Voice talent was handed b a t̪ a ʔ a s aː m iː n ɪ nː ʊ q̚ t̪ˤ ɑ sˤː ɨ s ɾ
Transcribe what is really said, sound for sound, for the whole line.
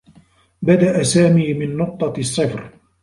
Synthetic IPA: b a d̪ a ʔ a s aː m iː m ɪ nː ʊ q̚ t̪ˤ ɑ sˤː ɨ f ɾ